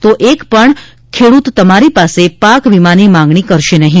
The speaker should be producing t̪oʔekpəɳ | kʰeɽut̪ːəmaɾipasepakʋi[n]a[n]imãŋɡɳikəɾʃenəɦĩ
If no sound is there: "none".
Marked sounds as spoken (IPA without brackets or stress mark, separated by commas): m, n